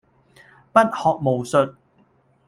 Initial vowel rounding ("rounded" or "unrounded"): unrounded